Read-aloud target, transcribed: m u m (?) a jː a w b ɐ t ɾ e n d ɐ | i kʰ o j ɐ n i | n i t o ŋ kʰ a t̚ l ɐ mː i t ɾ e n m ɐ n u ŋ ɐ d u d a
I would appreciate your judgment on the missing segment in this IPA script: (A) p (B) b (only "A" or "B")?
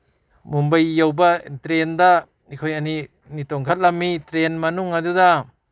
B